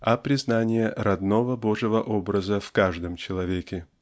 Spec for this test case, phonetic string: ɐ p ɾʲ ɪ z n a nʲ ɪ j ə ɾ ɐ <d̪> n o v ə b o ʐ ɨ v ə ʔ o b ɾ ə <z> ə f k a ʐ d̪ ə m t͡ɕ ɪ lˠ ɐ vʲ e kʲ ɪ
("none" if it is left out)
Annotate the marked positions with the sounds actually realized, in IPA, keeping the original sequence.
d̪, z

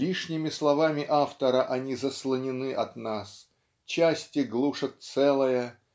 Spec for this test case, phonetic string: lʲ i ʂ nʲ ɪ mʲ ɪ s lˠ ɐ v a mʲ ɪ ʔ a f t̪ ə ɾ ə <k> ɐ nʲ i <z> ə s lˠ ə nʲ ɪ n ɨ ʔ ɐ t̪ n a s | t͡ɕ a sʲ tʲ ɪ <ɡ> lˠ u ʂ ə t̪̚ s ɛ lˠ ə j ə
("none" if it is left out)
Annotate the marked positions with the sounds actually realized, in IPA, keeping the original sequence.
ʔ, z, ɡ

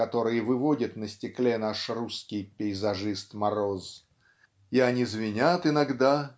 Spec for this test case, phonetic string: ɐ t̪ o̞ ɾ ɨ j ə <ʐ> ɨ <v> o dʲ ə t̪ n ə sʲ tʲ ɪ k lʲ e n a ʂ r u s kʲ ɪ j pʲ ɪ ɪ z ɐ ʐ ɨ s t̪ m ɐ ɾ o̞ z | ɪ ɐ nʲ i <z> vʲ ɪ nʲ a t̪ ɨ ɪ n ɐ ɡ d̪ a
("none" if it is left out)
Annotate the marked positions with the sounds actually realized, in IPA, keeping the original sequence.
v, v, z

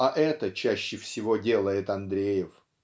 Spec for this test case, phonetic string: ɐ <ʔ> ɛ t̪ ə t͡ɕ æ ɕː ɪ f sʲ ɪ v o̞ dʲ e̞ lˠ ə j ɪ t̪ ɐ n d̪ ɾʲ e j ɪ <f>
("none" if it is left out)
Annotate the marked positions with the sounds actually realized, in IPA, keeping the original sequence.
ʔ, f

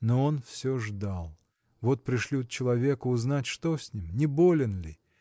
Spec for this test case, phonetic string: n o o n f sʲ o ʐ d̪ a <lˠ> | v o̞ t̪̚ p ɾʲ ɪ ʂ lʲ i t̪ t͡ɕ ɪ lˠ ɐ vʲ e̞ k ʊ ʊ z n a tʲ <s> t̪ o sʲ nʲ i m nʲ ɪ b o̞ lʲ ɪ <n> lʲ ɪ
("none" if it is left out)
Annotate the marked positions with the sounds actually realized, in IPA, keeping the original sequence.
lˠ, ʂ, n

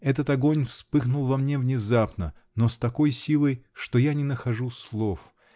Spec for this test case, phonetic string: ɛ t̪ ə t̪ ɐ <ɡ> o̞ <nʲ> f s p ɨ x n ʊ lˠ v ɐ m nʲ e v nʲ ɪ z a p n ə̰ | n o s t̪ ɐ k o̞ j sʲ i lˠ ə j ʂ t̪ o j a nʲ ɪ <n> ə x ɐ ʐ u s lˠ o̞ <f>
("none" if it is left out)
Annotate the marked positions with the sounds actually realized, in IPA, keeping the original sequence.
ɡ, nʲ, n, f

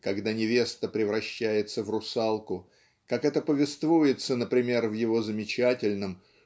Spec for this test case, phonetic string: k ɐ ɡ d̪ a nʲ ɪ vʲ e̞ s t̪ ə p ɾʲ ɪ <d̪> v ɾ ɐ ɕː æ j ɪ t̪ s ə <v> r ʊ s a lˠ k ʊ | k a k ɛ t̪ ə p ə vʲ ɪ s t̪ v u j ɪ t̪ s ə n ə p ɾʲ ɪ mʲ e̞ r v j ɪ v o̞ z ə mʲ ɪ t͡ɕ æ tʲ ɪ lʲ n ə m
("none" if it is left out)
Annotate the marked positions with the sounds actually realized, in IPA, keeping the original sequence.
none, v

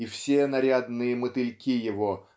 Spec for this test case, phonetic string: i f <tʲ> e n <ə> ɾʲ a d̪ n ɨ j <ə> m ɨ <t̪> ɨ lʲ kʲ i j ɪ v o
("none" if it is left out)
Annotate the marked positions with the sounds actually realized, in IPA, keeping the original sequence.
sʲ, ɐ, ə, t̪

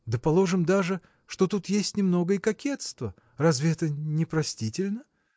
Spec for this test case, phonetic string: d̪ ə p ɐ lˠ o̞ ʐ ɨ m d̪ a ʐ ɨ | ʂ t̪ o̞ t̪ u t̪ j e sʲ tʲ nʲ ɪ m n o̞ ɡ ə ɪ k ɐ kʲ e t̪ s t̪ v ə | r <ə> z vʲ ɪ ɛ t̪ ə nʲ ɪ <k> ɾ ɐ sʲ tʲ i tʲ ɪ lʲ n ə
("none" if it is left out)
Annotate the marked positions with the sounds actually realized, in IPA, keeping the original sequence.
a, p

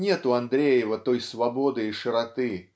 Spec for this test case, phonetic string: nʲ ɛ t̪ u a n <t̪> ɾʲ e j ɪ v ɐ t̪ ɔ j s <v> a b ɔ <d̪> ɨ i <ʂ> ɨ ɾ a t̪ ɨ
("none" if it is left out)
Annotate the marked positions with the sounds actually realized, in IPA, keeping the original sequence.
d̪, v, d̪, ʂ

